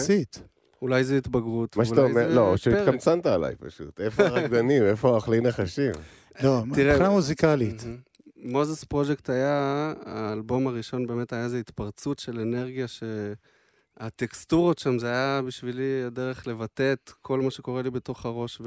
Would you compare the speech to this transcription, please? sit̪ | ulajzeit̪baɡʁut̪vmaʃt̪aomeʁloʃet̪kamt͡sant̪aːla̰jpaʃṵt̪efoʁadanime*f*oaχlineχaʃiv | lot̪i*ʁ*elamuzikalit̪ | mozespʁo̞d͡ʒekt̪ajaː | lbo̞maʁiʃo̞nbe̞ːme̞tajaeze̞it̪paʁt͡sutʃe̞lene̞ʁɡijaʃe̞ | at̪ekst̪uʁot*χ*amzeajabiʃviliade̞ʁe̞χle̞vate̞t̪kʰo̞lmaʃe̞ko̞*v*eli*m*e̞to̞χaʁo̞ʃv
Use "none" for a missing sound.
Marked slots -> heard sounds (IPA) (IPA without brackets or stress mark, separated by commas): f, ʁ, ʃ, ʁ, b